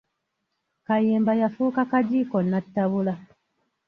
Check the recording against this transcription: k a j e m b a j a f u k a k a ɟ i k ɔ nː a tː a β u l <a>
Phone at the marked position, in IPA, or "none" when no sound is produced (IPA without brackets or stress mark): a